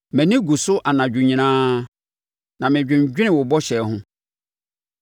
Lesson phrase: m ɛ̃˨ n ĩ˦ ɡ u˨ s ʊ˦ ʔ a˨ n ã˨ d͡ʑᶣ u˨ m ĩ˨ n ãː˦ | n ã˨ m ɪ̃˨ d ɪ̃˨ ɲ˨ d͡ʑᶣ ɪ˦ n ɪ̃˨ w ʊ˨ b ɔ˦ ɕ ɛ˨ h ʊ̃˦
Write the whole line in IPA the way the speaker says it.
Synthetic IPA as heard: m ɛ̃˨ n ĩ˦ ɡ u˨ s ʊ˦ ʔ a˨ n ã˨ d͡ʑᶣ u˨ ɲ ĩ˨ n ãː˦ | n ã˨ m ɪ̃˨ d͡ʑᶣ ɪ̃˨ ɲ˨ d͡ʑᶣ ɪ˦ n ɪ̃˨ w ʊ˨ b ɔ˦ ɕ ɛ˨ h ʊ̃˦